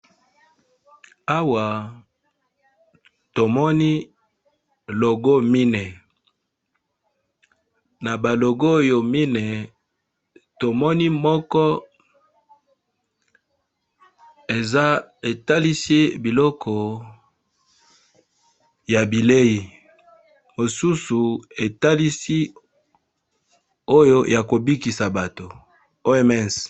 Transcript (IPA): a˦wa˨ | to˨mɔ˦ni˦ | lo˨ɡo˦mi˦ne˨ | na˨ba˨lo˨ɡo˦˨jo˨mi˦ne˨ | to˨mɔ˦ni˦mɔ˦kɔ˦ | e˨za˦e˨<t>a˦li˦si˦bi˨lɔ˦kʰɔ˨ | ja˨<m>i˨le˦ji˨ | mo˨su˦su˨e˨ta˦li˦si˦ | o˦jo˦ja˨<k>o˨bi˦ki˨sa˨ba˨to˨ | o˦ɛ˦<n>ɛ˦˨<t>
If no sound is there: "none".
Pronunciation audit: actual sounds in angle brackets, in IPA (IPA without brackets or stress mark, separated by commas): t, b, k, m, s